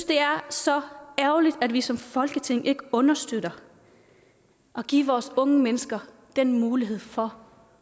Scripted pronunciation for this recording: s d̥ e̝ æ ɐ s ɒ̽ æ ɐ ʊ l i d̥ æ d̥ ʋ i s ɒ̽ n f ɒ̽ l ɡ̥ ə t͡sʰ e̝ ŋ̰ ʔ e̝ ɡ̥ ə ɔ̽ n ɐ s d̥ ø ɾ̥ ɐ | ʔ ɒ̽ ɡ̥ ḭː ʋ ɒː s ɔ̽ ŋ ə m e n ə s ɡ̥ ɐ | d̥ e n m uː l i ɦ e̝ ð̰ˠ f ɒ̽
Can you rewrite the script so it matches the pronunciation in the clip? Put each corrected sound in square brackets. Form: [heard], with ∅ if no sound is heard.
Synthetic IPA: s d̥ e̝ æ ɐ s ɒ̽ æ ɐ ʊ l i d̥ æ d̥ ʋ i s ɒ̽ [m] f ɒ̽ l ɡ̥ ə t͡sʰ e̝ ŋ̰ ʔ e̝ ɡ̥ ə ɔ̽ n ɐ s d̥ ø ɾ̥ ɐ | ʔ ɒ̽ ɡ̥ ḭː ʋ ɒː s ɔ̽ ŋ ə m e n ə s ɡ̥ ɐ | d̥ e n m uː l i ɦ e̝ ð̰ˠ f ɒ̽